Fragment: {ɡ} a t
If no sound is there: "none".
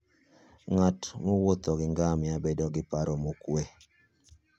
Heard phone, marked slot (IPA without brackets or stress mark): ŋ